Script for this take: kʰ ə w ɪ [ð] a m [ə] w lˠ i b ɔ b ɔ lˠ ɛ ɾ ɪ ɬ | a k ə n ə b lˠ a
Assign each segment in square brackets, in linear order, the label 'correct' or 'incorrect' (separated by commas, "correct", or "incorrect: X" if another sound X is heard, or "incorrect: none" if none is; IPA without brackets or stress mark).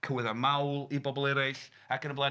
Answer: correct, incorrect: a